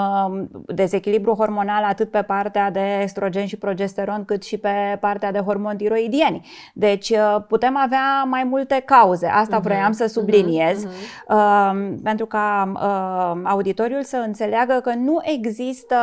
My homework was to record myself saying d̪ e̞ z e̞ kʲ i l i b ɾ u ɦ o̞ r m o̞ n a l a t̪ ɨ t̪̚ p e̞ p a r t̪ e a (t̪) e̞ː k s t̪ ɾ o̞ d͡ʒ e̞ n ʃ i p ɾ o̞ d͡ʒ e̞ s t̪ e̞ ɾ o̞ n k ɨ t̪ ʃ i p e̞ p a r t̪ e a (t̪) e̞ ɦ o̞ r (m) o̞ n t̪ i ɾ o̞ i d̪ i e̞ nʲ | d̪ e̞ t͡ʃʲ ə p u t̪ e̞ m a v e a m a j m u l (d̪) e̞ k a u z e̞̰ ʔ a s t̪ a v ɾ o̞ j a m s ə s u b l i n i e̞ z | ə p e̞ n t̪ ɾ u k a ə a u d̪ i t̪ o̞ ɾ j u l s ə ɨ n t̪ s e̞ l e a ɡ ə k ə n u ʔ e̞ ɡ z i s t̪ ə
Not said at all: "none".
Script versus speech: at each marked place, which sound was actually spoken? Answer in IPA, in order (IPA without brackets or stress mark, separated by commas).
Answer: d̪, d̪, m, t̪